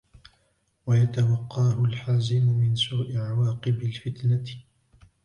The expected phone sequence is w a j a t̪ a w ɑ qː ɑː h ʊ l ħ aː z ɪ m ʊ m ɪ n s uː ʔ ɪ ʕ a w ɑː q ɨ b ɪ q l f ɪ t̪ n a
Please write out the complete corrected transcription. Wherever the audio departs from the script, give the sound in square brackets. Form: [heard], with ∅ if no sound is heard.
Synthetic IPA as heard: w a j a t̪ a w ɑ qː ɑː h ʊ l ħ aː z ɪ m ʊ m ɪ n s uː ʔ ɪ ʕ a w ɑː q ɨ b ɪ [∅] l f ɪ t̪ n a